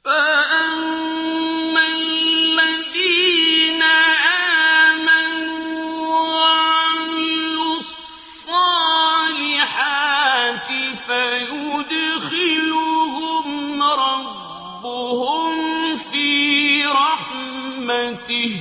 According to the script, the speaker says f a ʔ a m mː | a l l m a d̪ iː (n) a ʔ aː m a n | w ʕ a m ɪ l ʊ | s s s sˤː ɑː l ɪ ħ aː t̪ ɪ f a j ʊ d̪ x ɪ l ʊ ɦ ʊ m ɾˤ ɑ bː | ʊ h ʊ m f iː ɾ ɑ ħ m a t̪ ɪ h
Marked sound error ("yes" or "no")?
no